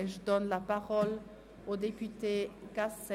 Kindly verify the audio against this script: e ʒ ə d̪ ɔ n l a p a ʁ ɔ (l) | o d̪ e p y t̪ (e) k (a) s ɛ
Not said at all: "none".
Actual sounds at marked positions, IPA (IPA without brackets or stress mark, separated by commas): l, e, a